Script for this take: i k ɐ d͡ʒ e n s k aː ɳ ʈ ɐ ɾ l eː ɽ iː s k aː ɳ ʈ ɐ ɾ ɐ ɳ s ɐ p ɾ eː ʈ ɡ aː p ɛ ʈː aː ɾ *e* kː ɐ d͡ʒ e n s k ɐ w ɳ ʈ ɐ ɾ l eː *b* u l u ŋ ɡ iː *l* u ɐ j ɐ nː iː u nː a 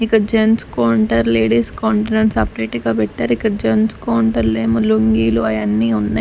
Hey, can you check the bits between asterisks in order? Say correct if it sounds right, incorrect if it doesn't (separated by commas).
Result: incorrect, incorrect, correct